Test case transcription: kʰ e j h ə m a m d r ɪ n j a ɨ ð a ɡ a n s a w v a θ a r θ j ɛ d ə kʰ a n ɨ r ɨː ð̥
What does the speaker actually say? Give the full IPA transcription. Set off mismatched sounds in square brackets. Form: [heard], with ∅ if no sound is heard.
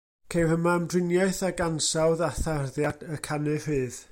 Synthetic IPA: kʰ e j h ə m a m d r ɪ n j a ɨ [θ] a ɡ a n s a w [ð] a θ a r [ð] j [a] d ə kʰ a n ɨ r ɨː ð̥